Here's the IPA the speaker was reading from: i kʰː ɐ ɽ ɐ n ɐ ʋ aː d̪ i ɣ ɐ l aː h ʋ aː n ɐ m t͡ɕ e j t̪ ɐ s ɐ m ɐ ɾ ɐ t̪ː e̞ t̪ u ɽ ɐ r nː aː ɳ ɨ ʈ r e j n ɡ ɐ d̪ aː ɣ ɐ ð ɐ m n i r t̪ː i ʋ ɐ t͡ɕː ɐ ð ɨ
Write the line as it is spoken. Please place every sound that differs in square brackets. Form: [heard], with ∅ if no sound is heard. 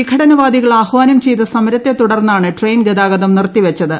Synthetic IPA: i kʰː ɐ ɽ ɐ n ɐ ʋ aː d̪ i ɣ ɐ [ɭ] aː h ʋ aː n ɐ m t͡ɕ e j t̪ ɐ s ɐ m ɐ ɾ ɐ t̪ː e̞ t̪ u ɽ ɐ r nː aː ɳ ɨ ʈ r e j n ɡ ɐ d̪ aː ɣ ɐ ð ɐ m n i r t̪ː i ʋ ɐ t͡ɕː ɐ ð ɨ